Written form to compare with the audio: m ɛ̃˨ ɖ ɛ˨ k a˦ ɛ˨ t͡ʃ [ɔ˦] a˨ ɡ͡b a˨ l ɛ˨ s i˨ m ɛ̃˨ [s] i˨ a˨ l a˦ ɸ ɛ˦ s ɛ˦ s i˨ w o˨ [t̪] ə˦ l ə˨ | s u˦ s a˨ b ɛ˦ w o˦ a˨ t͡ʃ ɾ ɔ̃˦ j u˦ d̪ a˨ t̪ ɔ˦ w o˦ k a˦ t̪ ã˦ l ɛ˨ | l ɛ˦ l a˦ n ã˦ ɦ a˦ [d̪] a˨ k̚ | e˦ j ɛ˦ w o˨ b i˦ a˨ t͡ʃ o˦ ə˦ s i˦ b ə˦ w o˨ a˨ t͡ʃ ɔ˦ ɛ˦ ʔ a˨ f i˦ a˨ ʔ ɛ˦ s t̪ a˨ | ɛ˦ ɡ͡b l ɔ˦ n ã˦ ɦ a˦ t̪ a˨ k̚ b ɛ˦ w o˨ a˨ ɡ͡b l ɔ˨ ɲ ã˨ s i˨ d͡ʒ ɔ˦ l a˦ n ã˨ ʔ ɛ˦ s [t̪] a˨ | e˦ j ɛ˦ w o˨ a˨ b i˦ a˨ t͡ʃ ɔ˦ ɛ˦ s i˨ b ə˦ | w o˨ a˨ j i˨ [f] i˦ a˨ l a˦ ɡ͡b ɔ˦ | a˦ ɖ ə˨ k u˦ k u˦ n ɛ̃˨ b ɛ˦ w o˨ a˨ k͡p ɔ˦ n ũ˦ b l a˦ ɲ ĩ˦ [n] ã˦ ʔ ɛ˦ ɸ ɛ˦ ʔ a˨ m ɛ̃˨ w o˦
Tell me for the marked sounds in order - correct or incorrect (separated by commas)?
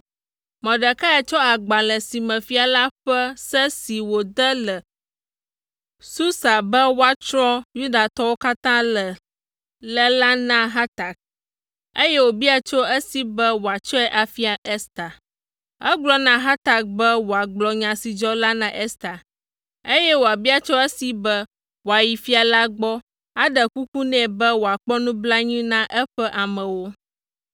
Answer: correct, incorrect, incorrect, incorrect, correct, correct, correct